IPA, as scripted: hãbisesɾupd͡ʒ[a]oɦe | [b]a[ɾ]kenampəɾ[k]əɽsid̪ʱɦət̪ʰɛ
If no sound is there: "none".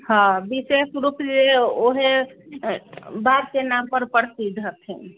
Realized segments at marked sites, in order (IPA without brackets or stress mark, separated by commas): e, b, ɾ, p